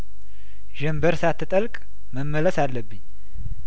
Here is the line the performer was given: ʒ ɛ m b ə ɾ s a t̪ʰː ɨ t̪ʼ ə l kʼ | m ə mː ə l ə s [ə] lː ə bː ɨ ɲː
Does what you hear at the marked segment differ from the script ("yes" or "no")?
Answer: yes